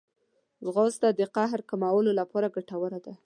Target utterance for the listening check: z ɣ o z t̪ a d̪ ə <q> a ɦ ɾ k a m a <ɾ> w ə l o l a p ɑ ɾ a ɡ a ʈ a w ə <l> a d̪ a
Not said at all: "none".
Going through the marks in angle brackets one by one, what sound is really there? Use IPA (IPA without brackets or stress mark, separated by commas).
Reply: q, none, ɾ